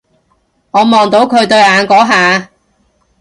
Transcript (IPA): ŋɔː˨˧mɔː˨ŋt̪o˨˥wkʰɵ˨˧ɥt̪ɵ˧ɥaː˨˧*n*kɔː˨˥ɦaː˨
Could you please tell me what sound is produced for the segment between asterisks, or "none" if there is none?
n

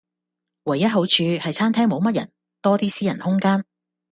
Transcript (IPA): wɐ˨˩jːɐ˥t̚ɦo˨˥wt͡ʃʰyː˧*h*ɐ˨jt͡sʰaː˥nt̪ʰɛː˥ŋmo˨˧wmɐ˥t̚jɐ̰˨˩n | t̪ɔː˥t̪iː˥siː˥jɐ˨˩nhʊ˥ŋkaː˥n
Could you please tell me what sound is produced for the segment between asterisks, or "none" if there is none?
h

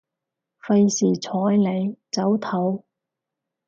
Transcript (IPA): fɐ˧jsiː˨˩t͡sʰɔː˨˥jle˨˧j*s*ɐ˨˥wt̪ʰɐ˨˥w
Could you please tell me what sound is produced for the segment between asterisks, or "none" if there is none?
t͡s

